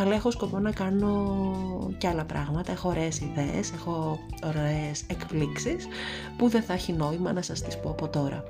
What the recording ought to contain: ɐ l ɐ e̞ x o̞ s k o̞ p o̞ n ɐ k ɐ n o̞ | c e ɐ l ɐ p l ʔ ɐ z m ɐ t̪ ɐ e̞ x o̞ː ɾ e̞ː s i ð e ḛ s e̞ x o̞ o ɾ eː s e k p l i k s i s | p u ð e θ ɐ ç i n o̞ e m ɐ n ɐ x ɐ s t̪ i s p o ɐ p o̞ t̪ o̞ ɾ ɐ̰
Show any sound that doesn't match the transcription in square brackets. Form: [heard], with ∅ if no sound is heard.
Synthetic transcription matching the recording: ɐ l ɐ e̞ x o̞ s k o̞ p o̞ n ɐ k ɐ n o̞ | c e ɐ l ɐ p [ɾ] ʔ ɐ [ɣ] m ɐ t̪ ɐ e̞ x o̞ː ɾ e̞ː s i ð e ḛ s e̞ x o̞ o ɾ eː s e k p l i k s i s | p u ð e θ ɐ ç i n o̞ [i] m ɐ n ɐ [s] ɐ s t̪ i s p o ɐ p o̞ t̪ o̞ ɾ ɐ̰